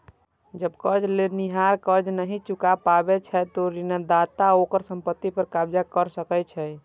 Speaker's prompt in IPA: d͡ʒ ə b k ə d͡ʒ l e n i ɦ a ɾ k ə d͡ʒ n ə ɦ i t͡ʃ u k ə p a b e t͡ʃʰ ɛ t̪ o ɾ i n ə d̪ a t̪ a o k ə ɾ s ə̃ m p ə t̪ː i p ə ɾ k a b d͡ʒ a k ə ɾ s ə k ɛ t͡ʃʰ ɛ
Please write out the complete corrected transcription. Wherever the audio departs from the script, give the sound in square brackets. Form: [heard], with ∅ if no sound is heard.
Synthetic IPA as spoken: d͡ʒ ə b k ə d͡ʒ l e n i ɦ a ɾ k ə d͡ʒ n ə ɦ i t͡ʃ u k [a] p a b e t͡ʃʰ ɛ t̪ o ɾ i n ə d̪ a t̪ a o k ə ɾ s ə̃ m p ə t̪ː i p ə ɾ k a b d͡ʒ a k ə ɾ s ə k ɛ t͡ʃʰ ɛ